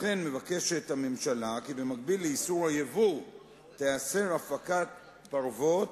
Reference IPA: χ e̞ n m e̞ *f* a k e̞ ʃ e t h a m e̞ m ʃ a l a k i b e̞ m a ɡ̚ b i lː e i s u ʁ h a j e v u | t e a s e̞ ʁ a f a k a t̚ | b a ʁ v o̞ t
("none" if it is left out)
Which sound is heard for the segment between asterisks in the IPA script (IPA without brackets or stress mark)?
v